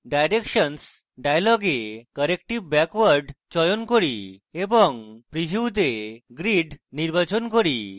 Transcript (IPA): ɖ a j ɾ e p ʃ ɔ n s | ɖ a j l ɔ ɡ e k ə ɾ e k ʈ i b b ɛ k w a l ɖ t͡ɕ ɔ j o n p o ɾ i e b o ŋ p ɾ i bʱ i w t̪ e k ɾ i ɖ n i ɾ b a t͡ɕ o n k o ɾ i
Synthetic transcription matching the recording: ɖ a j ɾ e k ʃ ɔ n s | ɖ a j l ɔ ɡ e k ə ɾ e k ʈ i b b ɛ k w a ɾ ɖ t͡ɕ ɔ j o n k o ɾ i e b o ŋ p ɾ i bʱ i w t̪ e ɡ ɾ i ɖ n i ɾ b a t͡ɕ o n k o ɾ i